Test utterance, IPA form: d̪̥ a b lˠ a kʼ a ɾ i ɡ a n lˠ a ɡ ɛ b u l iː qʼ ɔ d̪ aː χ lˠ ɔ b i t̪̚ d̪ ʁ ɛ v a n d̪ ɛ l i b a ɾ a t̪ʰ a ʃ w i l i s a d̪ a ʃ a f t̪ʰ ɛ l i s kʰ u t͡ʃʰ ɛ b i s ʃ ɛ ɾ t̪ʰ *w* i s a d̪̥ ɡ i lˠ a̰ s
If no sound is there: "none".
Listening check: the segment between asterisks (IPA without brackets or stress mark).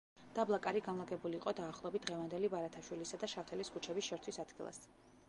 w